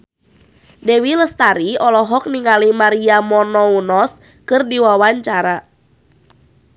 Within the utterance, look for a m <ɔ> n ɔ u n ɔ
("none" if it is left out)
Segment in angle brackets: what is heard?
ɔ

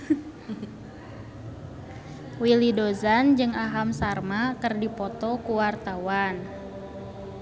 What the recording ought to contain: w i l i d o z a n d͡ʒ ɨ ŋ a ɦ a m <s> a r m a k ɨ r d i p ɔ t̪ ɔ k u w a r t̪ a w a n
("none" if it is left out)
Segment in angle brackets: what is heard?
s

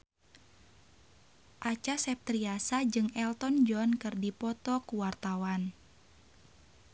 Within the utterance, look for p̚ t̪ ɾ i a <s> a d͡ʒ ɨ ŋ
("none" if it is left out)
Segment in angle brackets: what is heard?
s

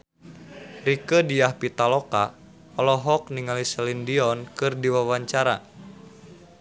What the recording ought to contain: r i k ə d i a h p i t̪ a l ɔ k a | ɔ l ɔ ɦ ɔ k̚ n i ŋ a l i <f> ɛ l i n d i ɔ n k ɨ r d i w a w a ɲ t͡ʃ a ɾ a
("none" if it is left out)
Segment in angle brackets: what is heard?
s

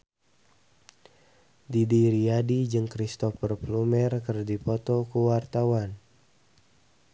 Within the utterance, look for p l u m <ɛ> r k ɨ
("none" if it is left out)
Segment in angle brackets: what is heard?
ɛ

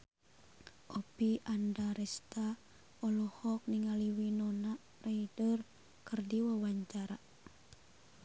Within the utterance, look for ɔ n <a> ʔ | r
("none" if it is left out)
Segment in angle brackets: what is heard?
a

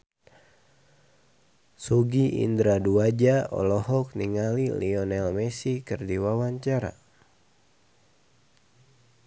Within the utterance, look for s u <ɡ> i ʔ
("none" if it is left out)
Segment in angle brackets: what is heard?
ɡ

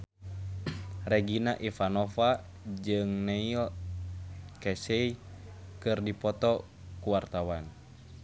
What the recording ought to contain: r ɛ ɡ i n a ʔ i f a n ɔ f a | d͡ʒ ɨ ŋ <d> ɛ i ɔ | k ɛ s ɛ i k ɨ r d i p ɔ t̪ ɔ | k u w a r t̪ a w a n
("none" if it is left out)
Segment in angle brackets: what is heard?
n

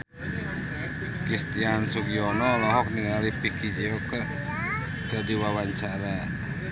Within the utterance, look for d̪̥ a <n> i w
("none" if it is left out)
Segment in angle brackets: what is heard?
d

